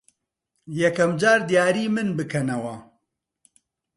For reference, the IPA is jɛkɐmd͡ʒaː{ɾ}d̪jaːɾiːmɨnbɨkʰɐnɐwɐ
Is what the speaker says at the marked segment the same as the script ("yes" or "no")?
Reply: yes